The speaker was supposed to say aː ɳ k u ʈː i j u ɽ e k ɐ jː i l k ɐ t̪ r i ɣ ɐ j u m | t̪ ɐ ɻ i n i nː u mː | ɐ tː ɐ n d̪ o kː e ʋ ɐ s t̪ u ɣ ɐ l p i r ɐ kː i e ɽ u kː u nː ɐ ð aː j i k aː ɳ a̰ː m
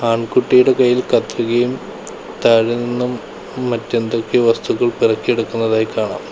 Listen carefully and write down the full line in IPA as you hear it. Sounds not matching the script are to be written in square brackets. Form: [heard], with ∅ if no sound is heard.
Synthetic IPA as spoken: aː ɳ k u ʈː i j u ɽ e k ɐ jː i l k ɐ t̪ r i ɣ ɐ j u m | t̪ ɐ ɻ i n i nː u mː | ɐ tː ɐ n d̪ o kː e ʋ ɐ s t̪ u ɣ ɐ [ɭ] p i r ɐ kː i e ɽ u kː u nː ɐ ð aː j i k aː ɳ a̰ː m